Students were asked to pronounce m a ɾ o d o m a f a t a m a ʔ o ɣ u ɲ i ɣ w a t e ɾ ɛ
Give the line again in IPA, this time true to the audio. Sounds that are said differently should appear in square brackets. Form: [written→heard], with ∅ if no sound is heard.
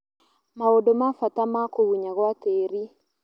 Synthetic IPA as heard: m a [ɾ→∅] o d o m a f a t a m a [ʔ→k] o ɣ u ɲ [i→a] ɣ w a t e ɾ [ɛ→i]